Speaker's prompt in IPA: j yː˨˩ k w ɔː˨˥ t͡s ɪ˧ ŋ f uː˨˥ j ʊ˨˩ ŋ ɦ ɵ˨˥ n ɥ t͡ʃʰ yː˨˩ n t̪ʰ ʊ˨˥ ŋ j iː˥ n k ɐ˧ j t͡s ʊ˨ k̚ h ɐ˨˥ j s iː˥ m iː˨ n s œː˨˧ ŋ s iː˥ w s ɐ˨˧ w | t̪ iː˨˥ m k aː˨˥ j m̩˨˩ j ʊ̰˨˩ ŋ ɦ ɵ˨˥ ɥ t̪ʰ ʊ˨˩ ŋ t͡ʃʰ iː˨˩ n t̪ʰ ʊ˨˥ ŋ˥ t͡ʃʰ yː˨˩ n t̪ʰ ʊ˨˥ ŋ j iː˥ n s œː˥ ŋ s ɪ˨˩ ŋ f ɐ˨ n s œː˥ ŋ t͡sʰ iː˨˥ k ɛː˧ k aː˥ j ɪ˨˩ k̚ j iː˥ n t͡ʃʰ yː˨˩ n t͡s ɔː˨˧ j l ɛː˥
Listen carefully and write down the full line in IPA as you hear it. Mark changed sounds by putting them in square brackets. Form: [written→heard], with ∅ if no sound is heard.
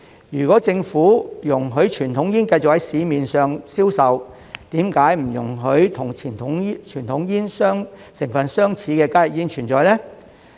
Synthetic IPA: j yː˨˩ k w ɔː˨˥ t͡s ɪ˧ ŋ f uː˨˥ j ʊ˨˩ ŋ ɦ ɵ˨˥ [n→∅] ɥ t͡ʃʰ yː˨˩ n t̪ʰ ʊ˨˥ ŋ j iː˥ n k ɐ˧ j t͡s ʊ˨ k̚ h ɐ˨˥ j s [iː˥→iː˨˧] m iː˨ n s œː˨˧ ŋ s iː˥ w s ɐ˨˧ w | t̪ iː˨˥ m k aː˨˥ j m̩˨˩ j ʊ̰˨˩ ŋ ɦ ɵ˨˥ ɥ t̪ʰ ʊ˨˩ ŋ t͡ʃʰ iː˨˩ n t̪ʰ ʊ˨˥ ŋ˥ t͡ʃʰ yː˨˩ n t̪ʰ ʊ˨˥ ŋ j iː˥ n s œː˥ ŋ s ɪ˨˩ ŋ f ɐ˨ n s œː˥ ŋ t͡sʰ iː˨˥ k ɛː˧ k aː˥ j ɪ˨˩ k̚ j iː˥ n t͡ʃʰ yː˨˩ n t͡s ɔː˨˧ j l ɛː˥